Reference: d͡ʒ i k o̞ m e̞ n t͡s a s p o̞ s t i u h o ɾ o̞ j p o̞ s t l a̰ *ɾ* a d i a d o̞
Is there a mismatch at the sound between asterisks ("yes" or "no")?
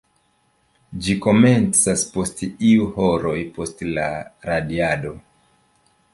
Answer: no